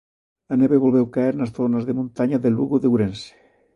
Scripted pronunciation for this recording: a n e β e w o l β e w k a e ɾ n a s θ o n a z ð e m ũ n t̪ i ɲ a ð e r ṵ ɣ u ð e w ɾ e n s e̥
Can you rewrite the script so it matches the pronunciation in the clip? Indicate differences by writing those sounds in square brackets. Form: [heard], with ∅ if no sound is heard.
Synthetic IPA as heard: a n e β e [β] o l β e w k a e ɾ n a s θ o n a z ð e m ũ n t̪ [a] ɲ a ð e [l] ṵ ɣ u ð e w ɾ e n s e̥